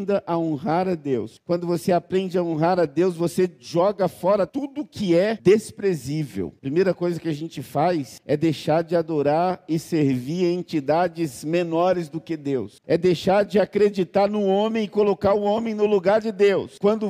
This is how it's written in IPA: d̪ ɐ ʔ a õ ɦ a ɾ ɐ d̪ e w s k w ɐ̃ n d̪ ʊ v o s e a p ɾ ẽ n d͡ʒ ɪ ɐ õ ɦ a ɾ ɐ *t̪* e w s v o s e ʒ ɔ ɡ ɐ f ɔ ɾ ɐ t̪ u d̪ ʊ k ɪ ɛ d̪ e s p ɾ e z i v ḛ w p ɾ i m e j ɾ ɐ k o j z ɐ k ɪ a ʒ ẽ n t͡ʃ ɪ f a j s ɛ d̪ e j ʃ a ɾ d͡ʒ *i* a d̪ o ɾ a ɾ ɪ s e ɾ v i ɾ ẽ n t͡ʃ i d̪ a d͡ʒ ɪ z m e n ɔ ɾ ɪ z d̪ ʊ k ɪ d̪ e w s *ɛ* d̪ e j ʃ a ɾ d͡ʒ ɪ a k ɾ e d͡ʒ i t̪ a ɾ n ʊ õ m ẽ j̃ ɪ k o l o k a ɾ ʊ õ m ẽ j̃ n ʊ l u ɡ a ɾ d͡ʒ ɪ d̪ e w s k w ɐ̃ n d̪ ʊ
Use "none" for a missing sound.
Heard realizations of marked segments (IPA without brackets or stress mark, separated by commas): d̪, ɪ, ɛ